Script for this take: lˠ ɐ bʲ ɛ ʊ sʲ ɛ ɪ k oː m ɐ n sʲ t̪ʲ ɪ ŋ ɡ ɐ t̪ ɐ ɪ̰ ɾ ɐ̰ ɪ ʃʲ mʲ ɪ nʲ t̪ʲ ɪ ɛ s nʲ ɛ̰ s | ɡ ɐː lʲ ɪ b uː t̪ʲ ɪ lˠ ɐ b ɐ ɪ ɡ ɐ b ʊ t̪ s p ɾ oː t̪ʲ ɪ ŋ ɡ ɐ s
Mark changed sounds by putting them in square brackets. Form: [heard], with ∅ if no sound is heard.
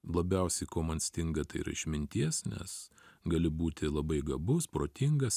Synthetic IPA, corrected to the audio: lˠ ɐ bʲ ɛ ʊ sʲ ɛ ɪ k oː m ɐ n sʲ t̪ʲ ɪ ŋ ɡ ɐ t̪ ɐ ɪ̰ ɾ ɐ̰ ɪ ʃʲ mʲ ɪ nʲ t̪ʲ [i] ɛ s nʲ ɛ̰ s | ɡ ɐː lʲ ɪ b uː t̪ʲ ɪ lˠ ɐ b ɐ ɪ ɡ ɐ b ʊ [∅] s p ɾ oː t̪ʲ ɪ ŋ ɡ ɐ s